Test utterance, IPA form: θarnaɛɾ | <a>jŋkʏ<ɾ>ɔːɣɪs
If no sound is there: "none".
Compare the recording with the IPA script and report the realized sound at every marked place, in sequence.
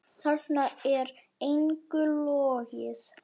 e, l

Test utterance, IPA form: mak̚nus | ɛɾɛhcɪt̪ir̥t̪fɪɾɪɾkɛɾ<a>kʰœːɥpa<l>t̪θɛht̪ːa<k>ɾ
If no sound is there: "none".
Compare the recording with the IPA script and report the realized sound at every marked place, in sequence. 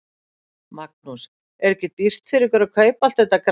a, l, k

